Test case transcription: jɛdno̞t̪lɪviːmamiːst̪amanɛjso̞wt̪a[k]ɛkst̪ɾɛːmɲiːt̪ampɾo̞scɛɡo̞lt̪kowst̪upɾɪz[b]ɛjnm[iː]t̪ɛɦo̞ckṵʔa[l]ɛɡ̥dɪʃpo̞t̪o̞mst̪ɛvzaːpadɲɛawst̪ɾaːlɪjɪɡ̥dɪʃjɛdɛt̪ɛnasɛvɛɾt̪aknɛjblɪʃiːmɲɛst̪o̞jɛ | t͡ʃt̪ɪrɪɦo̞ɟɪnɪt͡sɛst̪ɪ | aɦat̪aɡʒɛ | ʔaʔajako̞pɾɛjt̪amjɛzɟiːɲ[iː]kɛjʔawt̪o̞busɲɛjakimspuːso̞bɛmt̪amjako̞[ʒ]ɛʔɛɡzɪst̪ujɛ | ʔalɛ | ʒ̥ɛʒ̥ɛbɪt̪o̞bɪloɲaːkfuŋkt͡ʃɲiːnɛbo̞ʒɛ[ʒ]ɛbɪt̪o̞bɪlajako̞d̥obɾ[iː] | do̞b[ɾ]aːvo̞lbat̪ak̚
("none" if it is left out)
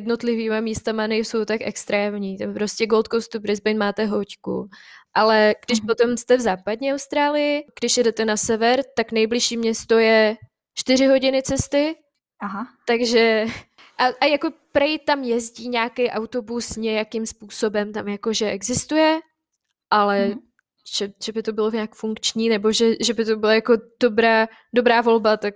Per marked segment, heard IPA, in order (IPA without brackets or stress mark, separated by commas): k, b, aː, l, aː, ʒ, ʒ, aː, ɾ